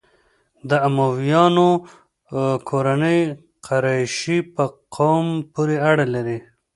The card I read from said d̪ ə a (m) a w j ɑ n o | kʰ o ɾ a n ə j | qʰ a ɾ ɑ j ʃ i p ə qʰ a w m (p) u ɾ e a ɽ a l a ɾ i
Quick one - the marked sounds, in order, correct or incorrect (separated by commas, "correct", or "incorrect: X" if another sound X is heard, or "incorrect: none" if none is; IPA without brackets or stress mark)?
correct, correct